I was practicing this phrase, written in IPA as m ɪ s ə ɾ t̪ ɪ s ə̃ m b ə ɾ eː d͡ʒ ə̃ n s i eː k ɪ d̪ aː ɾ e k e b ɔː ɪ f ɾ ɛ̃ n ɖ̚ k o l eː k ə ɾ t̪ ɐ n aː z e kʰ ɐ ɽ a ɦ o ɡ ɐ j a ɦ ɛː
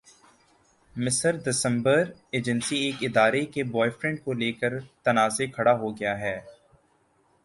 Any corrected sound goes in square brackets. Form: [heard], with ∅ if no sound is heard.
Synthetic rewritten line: m ɪ s ə ɾ [d̪] ɪ s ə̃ m b ə ɾ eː d͡ʒ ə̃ n s i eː k ɪ d̪ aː ɾ e k e b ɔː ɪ f ɾ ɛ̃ [ɳ] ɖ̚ k o l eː k ə ɾ t̪ ɐ n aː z e kʰ ɐ ɽ a ɦ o ɡ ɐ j a ɦ ɛː